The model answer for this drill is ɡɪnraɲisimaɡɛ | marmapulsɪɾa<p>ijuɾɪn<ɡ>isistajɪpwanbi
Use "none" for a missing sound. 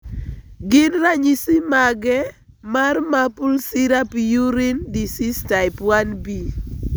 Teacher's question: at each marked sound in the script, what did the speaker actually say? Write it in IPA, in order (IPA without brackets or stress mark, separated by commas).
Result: p, d